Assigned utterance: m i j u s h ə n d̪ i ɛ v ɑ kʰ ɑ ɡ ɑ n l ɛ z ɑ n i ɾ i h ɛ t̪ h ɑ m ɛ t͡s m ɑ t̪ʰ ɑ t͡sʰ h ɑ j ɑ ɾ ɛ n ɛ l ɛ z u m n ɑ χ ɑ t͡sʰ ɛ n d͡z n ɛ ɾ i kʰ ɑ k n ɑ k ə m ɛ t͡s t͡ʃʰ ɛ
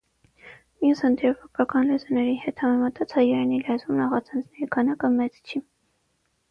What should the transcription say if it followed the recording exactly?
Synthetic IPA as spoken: m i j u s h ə n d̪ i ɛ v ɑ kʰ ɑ k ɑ n l ɛ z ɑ n ɛ ɾ i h ɛ t̪ h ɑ m ɛ m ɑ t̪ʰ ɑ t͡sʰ h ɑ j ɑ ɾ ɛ n i l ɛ z u m n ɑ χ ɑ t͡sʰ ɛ n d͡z n ɛ ɾ i kʰ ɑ n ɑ k ə m ɛ t͡s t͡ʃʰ i

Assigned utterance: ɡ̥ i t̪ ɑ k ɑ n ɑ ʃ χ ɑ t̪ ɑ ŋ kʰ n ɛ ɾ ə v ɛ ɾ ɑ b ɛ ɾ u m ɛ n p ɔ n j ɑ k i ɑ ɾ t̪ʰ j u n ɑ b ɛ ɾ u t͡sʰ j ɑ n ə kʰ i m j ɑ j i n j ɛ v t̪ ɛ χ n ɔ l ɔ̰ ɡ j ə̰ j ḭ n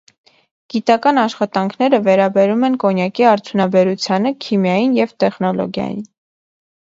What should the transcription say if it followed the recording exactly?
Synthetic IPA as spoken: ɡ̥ i t̪ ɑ k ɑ n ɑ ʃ χ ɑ t̪ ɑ ŋ kʰ n ɛ ɾ ə v ɛ ɾ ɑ b ɛ ɾ u m ɛ n k ɔ n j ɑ k i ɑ ɾ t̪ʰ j u n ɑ b ɛ ɾ u t͡sʰ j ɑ n ə kʰ i m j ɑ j i n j ɛ v t̪ ɛ χ n ɔ l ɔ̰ ɡ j ɑ̰ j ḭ n

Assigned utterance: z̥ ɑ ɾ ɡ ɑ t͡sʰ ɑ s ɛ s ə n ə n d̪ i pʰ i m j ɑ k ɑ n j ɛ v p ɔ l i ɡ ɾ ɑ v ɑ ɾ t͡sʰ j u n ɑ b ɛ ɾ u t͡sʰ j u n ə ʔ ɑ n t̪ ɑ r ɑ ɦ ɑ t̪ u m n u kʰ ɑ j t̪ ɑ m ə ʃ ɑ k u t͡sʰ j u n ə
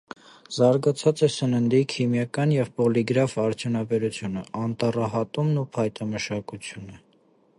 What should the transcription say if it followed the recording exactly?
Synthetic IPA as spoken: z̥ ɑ ɾ ɡ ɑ t͡sʰ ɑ t͡s ɛ s ə n ə n d̪ i kʰ i m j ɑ k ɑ n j ɛ v p ɔ l i ɡ ɾ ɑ v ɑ ɾ t͡sʰ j u n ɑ b ɛ ɾ u t͡sʰ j u n ə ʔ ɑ n t̪ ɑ r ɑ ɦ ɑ t̪ u m n u pʰ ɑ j t̪ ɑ m ə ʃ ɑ k u t͡sʰ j u n ə

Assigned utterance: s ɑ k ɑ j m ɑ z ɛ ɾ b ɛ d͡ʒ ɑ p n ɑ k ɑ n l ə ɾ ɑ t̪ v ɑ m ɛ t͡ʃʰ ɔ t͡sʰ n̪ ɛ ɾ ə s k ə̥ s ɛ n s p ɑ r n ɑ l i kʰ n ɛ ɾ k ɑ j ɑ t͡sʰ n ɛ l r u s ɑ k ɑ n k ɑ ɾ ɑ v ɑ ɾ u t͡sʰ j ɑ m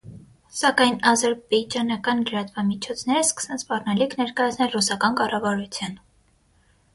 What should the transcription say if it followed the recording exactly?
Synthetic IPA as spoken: s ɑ k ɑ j n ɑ z ɛ ɾ b ɛ d͡ʒ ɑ n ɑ k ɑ n l ə ɾ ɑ t̪ v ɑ m i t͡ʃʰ ɔ t͡sʰ n̪ ɛ ɾ ə s k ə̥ s ɛ n s p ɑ r n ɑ l i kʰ n ɛ ɾ k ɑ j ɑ t͡sʰ n ɛ l r u s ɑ k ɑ n k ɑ r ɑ v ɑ ɾ u t͡sʰ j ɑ n

